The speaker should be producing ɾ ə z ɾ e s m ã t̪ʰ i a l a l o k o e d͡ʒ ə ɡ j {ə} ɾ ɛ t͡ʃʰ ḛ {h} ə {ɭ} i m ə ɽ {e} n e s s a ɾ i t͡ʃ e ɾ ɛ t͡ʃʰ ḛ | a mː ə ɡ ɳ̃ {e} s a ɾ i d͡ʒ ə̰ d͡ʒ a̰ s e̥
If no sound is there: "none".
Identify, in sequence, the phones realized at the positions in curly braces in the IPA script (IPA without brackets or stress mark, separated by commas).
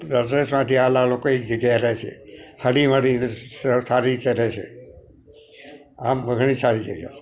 a, h, ɽ, i, i